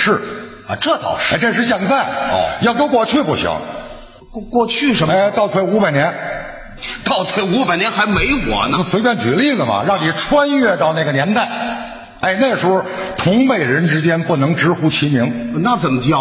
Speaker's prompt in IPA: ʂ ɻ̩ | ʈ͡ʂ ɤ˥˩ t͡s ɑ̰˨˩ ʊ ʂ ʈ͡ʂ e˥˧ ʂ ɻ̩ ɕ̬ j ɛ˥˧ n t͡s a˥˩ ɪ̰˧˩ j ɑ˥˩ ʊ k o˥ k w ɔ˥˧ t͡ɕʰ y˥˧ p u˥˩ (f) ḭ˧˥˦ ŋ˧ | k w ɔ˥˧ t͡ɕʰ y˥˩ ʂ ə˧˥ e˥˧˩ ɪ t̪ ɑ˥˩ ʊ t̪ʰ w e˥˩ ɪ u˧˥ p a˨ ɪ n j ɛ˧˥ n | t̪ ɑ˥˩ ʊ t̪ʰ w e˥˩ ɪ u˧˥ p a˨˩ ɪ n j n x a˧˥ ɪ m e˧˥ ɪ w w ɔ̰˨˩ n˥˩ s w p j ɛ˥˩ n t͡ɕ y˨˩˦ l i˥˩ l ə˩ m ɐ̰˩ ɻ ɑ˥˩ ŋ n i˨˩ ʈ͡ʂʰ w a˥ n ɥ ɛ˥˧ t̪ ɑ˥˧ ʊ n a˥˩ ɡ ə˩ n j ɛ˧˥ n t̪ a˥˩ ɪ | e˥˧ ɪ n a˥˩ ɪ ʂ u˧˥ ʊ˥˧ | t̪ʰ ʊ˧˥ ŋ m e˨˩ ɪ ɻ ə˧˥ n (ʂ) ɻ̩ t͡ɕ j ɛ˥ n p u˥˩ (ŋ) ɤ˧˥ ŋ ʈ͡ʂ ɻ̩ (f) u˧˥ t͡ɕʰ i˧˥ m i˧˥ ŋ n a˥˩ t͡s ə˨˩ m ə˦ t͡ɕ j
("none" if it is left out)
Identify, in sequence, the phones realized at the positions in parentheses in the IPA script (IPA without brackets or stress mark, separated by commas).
ɕ, ʈ͡ʂ, n, x